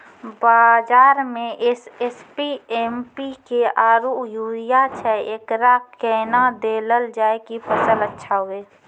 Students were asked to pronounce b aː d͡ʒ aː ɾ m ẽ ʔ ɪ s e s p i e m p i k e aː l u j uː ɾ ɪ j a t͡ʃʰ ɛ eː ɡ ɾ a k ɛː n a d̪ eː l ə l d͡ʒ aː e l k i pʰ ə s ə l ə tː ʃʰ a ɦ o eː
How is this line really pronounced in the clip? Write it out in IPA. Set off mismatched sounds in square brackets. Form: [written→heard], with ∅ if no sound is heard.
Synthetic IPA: b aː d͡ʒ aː ɾ m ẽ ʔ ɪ s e s p i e m p i k e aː [l→ɾ] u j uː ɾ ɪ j a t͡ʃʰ ɛ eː [ɡ→k] ɾ a k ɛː n a d̪ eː l ə l d͡ʒ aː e [l→∅] k i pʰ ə s ə l ə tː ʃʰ a ɦ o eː